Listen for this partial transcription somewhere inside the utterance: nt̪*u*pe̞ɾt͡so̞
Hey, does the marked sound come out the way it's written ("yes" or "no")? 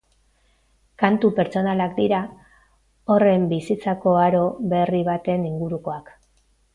yes